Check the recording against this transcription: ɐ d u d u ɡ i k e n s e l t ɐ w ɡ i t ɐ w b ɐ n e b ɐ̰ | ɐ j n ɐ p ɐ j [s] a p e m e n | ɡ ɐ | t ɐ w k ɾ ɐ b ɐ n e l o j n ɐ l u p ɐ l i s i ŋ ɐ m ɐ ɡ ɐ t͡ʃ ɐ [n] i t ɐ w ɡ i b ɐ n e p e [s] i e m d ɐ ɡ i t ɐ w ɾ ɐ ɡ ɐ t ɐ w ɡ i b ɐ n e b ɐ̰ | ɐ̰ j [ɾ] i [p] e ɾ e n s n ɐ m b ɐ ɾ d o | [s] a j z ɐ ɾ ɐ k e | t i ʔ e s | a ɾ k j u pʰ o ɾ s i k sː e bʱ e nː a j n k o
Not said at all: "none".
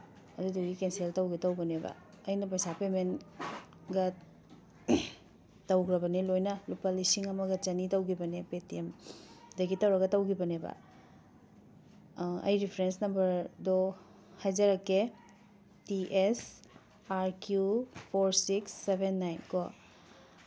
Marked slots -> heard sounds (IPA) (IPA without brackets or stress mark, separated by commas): s, n, t, ɾ, pʰ, h